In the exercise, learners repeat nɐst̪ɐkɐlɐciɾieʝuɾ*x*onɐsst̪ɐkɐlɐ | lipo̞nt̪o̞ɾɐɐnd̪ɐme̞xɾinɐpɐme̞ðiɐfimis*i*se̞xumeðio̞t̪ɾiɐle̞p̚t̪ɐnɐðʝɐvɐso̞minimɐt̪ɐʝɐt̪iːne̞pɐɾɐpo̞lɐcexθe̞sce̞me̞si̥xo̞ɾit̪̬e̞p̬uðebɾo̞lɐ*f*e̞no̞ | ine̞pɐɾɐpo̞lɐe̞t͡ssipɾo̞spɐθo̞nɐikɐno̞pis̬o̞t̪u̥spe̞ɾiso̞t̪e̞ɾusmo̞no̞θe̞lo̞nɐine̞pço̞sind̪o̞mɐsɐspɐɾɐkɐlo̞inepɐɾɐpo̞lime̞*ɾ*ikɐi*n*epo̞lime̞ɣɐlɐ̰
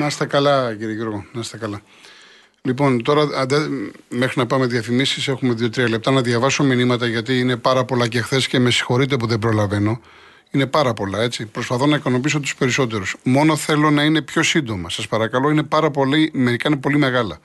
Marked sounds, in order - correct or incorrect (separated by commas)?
incorrect, correct, incorrect, correct, correct